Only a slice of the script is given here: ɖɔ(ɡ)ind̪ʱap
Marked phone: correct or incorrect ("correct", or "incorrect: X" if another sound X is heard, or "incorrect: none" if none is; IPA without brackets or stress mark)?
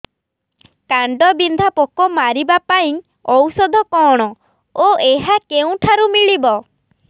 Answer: incorrect: b